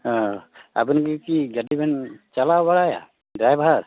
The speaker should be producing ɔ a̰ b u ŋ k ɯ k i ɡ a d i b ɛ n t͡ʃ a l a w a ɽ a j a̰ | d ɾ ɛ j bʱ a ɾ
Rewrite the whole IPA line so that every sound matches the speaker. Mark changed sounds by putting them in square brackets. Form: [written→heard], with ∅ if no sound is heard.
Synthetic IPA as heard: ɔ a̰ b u [ŋ→n] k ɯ k i ɡ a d i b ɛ n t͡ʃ a l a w a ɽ a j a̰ | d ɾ [ɛ→a] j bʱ a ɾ